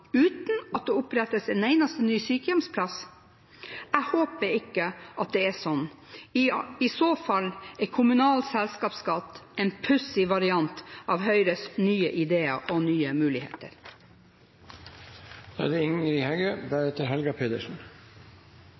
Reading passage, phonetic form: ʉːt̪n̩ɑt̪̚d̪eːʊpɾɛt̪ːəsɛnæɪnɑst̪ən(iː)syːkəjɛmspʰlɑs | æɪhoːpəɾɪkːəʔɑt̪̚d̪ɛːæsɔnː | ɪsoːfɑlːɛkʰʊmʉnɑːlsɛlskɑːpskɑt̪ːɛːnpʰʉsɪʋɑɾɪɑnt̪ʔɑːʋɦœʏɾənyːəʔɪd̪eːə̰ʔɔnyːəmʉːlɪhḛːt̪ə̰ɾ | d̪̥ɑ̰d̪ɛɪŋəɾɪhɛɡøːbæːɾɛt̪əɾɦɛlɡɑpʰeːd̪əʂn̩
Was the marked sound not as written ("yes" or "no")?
yes